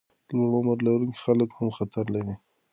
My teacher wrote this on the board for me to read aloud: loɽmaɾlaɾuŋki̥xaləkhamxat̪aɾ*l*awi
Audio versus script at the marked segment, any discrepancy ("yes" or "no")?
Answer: no